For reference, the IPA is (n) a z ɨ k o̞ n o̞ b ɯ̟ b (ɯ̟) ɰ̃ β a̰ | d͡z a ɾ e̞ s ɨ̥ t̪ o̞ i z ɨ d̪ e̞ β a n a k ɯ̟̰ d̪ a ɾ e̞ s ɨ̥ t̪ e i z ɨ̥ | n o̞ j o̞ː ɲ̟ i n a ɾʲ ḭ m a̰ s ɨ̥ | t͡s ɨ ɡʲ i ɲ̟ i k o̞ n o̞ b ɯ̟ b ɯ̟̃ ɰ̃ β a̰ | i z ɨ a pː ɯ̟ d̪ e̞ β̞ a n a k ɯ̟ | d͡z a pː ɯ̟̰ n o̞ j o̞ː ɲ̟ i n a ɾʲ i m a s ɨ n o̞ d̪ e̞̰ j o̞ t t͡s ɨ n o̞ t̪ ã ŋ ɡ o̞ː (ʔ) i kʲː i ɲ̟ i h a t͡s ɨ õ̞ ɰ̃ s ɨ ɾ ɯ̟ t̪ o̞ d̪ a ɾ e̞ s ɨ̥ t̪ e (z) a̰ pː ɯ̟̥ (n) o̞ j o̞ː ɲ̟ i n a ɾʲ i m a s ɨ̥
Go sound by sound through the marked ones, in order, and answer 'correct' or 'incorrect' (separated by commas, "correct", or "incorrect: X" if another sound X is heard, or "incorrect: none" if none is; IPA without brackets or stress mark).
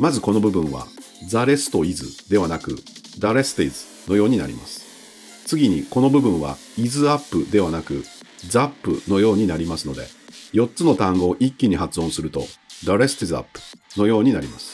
incorrect: m, incorrect: ɯ̟̃, correct, correct, correct